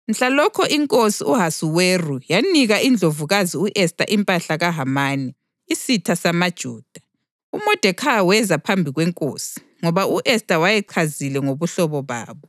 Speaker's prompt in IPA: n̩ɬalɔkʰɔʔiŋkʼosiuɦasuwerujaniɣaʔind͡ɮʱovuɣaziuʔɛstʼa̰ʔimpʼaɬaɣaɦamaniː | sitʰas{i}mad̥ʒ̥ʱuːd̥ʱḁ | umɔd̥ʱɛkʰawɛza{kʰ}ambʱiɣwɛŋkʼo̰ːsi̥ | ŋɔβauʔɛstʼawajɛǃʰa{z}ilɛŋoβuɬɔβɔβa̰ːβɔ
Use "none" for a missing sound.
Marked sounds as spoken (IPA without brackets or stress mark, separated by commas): a, pʰ, z